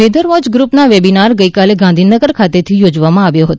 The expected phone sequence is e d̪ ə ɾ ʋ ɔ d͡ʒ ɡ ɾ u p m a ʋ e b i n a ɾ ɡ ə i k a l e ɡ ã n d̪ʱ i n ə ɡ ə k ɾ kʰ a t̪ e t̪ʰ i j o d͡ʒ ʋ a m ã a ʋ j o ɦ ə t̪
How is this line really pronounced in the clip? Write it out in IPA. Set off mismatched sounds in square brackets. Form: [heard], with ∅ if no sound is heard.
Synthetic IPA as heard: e d̪ ə ɾ ʋ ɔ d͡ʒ ɡ ɾ u p [n] a ʋ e b i n a ɾ ɡ ə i k a l e ɡ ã n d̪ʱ i n ə ɡ ə [∅] ɾ kʰ a t̪ e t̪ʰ i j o d͡ʒ ʋ a m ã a ʋ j o ɦ ə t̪